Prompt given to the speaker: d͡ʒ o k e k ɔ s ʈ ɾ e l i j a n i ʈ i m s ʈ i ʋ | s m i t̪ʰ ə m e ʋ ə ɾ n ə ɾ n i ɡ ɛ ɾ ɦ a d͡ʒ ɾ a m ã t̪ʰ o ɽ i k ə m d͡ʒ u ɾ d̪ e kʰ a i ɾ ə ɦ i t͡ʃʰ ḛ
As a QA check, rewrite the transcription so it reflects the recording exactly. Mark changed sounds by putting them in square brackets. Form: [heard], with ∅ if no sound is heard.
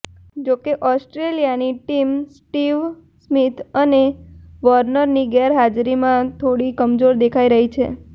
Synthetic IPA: d͡ʒ o k e [ʔ] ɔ s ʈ ɾ e l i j a n i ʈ i m s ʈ i ʋ | s m i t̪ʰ ə [n] e ʋ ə ɾ n ə ɾ n i ɡ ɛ ɾ ɦ a d͡ʒ ɾ [i] m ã t̪ʰ o ɽ i k ə m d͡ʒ [o] ɾ d̪ e kʰ a i ɾ ə ɦ i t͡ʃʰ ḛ